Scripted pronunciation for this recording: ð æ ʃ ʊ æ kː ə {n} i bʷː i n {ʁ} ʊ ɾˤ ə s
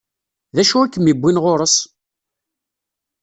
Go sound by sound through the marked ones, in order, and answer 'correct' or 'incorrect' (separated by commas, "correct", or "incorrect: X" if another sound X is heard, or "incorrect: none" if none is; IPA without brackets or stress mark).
incorrect: m, correct